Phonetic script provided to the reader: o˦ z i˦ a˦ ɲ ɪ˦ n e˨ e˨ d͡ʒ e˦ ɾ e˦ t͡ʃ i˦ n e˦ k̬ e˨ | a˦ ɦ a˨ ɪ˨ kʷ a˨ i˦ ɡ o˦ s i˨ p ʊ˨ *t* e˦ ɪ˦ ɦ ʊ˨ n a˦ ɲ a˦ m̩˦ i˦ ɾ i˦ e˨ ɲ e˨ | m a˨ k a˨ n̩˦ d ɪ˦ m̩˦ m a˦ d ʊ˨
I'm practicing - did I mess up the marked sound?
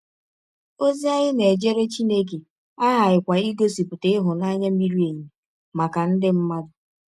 no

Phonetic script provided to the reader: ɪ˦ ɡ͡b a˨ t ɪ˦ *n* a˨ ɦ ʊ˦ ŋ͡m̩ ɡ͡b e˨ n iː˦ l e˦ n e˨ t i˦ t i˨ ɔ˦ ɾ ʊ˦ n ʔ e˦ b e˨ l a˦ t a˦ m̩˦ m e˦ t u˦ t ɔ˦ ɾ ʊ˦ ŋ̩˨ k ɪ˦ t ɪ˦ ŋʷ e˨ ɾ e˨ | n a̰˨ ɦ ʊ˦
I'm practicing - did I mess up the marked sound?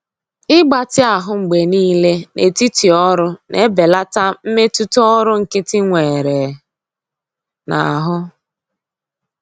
yes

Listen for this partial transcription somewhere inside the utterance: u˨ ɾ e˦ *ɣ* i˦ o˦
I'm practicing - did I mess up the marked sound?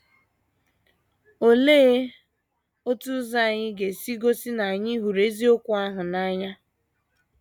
yes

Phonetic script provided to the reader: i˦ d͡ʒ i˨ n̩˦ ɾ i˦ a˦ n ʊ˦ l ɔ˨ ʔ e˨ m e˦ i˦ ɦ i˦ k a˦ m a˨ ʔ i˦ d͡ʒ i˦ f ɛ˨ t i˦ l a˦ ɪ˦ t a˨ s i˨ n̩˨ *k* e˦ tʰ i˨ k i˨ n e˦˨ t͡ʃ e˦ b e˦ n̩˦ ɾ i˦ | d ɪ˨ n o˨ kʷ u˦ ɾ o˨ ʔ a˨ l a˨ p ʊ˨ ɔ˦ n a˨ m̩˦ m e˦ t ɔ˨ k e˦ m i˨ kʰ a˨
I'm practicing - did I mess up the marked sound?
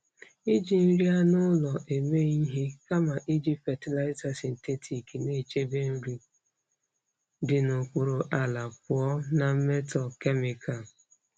yes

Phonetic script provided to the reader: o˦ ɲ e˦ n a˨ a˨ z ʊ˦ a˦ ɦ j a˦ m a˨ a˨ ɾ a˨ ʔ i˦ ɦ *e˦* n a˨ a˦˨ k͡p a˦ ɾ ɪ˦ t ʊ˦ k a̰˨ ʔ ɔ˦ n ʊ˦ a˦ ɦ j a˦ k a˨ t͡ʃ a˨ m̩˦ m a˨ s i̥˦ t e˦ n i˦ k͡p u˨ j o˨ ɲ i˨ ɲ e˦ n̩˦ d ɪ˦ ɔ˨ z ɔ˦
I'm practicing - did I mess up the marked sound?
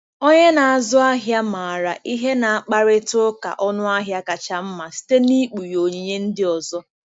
no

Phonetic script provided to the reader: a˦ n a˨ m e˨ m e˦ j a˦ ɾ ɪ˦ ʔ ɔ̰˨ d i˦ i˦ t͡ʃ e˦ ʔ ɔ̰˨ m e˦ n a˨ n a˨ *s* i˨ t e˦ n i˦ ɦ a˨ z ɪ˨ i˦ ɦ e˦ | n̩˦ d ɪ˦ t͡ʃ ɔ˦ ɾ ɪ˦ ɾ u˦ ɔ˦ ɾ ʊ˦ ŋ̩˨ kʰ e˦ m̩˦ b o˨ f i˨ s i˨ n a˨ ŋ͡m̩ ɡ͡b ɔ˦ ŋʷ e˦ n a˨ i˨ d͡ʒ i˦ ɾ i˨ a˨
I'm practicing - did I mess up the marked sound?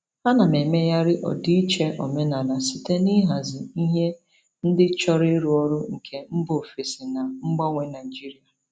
no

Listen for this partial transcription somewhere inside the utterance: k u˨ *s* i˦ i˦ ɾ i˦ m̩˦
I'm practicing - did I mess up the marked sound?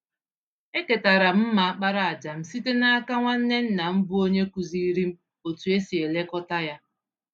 yes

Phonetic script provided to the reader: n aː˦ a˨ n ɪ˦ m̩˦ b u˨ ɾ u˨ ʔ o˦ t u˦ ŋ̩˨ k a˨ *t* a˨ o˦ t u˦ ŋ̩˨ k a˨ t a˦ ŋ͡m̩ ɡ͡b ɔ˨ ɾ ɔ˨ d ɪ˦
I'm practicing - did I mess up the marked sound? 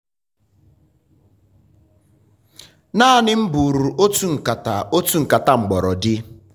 no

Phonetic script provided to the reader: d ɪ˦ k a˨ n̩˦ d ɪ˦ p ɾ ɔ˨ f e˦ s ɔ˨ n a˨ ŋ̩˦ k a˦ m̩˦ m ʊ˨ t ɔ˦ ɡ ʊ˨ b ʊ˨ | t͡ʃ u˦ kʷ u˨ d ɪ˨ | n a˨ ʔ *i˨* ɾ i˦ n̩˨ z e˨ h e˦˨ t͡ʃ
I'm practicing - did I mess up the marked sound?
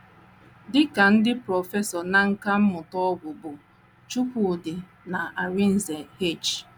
yes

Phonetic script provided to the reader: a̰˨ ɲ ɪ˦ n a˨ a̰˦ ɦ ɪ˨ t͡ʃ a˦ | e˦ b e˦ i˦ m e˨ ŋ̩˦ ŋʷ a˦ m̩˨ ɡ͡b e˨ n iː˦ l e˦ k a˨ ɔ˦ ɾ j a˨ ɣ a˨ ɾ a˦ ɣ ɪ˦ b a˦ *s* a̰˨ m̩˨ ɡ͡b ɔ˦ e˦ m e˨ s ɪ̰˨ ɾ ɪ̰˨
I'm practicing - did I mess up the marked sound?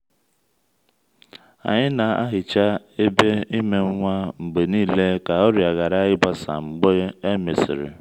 no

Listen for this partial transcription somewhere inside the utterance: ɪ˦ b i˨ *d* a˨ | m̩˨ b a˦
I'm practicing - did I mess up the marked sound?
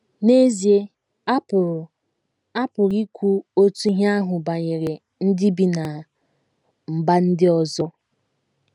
yes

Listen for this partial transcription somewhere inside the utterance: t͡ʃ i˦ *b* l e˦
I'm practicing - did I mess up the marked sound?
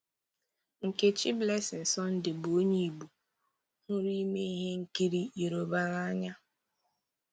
no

